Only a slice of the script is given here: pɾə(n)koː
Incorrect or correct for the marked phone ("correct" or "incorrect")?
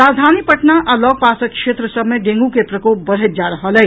incorrect